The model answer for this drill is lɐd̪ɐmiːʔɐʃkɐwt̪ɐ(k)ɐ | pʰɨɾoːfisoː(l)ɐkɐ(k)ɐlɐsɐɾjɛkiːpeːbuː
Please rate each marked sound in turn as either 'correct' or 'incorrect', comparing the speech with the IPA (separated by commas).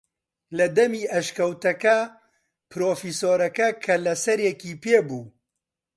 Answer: correct, incorrect, incorrect